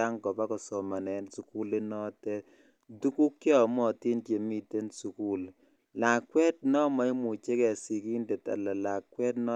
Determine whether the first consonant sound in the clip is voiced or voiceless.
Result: voiced